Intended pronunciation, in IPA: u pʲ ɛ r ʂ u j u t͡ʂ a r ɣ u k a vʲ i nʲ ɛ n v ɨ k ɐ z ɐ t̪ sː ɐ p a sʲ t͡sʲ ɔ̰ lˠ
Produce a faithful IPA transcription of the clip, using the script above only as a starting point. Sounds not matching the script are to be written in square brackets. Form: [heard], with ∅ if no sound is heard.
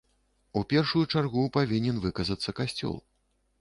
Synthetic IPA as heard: u pʲ ɛ r ʂ u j u t͡ʂ a r ɣ u [p] a vʲ i nʲ ɛ n v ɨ k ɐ z ɐ t̪ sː ɐ [k] a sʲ t͡sʲ ɔ̰ lˠ